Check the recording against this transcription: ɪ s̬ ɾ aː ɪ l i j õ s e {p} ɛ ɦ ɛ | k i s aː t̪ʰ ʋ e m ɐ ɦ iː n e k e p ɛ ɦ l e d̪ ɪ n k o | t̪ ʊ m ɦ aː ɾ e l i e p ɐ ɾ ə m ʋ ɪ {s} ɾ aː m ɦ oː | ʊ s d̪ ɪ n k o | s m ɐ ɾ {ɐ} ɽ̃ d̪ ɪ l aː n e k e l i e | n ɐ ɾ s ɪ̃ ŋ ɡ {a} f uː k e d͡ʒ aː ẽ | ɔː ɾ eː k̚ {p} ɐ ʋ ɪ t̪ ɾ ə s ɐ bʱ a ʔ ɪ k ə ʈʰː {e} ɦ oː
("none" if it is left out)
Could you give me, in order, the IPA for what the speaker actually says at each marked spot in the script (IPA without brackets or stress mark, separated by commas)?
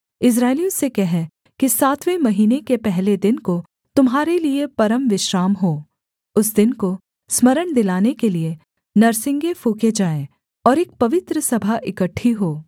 k, ʃ, ə, e, p, i